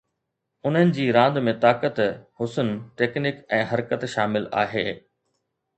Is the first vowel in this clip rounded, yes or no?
yes